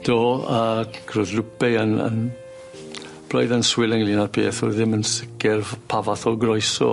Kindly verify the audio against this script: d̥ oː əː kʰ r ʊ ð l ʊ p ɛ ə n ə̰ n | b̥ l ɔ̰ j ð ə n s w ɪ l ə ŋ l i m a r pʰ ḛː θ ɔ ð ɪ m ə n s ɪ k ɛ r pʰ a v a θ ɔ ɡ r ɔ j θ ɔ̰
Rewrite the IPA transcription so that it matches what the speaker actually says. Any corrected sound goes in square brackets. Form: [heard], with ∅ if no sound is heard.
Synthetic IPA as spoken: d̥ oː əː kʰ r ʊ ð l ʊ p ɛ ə n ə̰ n | b̥ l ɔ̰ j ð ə n s w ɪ l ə ŋ l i [n] a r pʰ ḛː θ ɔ ð ɪ m ə n s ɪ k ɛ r pʰ a v a θ ɔ ɡ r ɔ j [s] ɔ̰